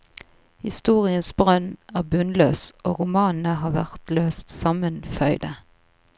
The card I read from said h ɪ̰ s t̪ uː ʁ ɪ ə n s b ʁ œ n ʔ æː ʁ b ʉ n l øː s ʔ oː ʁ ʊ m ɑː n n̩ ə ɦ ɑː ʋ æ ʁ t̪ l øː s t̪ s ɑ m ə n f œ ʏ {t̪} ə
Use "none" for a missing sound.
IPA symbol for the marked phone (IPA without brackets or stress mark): d̪